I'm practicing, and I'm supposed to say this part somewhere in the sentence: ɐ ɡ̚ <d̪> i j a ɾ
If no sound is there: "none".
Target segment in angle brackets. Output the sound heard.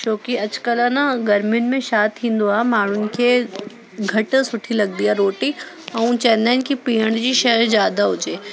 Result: d̪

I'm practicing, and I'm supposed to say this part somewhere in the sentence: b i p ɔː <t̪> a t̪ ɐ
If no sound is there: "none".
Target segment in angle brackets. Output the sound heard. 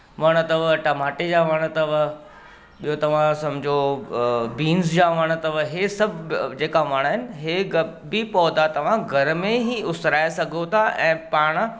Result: d̪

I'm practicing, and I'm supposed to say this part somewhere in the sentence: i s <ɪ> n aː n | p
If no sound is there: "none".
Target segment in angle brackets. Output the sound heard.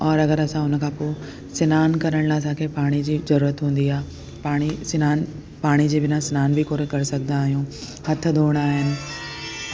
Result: ɪ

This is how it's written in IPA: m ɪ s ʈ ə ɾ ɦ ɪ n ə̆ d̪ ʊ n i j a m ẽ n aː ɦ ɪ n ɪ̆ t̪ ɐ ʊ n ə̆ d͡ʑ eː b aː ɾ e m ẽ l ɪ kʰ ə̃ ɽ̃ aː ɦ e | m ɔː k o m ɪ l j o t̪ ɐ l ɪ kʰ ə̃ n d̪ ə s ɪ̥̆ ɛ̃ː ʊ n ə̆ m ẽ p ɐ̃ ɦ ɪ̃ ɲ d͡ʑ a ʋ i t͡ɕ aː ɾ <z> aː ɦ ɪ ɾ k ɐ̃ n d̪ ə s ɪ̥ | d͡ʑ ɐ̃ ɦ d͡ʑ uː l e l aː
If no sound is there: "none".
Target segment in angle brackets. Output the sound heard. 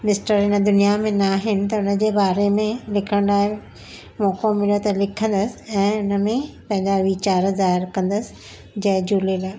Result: z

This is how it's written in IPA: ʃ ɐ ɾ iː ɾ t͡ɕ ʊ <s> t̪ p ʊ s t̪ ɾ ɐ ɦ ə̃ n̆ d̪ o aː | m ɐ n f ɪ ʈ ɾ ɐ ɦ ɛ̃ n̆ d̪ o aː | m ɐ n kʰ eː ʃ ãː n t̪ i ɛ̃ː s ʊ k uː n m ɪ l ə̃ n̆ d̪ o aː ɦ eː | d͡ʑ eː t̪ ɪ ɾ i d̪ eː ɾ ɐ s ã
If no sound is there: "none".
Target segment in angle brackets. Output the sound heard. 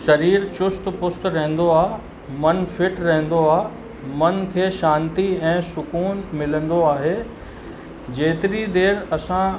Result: s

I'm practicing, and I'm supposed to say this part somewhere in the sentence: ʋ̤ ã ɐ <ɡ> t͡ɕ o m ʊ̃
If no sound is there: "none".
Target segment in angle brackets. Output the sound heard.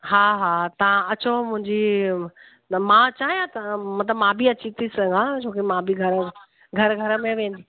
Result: none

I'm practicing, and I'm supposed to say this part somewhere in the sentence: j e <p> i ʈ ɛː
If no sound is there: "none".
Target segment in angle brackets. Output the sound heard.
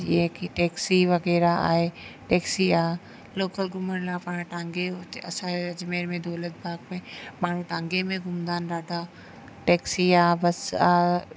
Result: k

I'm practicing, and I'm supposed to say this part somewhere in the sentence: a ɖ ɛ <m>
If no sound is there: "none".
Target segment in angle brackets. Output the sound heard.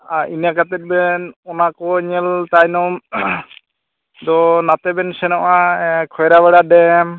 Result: m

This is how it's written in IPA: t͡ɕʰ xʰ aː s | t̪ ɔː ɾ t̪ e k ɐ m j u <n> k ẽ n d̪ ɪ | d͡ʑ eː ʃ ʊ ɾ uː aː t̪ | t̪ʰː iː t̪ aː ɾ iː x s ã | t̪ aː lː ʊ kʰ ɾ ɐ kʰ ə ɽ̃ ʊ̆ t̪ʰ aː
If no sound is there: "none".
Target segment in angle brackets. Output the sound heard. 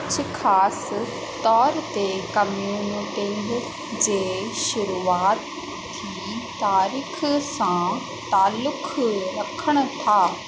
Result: n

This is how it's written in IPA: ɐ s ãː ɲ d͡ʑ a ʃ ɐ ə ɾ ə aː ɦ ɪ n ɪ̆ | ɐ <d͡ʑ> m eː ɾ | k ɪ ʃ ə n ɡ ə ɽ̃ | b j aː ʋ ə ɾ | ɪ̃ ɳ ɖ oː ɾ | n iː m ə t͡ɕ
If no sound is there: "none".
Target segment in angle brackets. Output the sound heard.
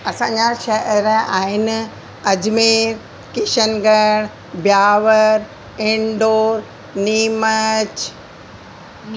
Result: d͡ʑ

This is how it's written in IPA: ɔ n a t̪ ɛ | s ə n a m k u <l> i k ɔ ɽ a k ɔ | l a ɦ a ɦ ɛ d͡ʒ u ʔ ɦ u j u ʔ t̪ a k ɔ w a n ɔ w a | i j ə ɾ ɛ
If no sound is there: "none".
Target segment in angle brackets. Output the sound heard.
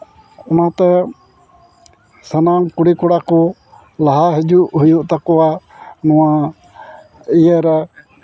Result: ɽ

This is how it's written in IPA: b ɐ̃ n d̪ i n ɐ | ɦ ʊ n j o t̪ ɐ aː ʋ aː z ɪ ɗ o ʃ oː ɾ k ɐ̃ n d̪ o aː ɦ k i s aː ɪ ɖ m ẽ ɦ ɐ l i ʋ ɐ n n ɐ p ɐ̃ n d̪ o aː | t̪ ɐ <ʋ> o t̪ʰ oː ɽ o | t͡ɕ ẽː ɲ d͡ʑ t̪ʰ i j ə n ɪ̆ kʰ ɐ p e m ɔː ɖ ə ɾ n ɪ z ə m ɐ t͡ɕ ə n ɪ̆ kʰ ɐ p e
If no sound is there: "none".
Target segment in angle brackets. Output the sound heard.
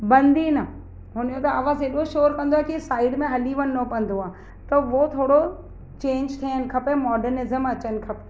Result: ʋ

